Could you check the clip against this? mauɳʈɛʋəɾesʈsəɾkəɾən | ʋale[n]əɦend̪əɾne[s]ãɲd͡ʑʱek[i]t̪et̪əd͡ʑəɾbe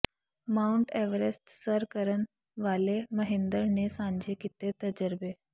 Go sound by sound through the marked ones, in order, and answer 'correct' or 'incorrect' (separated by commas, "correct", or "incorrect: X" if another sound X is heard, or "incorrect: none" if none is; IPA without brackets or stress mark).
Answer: incorrect: m, correct, correct